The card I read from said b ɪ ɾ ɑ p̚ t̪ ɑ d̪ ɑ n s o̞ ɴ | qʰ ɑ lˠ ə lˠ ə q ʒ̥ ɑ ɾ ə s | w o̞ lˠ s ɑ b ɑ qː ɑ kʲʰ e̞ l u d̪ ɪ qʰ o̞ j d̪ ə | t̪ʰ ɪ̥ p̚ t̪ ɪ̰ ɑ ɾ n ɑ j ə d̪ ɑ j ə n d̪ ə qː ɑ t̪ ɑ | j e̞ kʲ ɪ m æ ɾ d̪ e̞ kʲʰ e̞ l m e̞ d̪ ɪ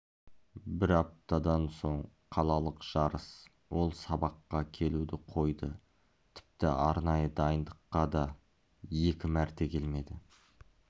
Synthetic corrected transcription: b ɪ ɾ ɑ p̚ t̪ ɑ d̪ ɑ n s o̞ ɴ | qʰ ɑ lˠ ɑ lˠ ə q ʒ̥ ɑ ɾ ə s | w o̞ lˠ s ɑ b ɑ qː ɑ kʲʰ e̞ l u d̪ ɪ qʰ o̞ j d̪ ə | t̪ʰ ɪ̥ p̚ t̪ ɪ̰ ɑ ɾ n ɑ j ə d̪ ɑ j ə n d̪ ə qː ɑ d̪ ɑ | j e̞ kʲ ɪ m æ ɾ t̪ e̞ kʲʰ e̞ l m e̞ d̪ ɪ